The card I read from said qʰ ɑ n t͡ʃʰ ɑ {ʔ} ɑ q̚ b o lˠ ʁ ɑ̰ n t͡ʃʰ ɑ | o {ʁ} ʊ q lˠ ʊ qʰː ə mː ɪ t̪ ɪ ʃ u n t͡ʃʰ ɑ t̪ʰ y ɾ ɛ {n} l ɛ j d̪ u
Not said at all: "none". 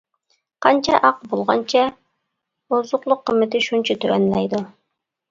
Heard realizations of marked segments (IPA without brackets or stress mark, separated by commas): ʔ, z, n